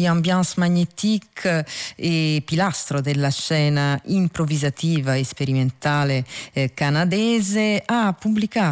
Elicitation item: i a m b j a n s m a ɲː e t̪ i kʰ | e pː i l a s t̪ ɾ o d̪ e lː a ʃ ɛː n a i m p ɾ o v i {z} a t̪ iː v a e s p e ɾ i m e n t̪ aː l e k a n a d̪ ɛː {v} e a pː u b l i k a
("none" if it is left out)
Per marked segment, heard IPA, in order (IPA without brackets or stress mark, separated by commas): z, z